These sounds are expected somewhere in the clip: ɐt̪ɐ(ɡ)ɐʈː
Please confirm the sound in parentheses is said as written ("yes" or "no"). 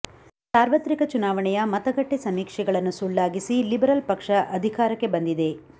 yes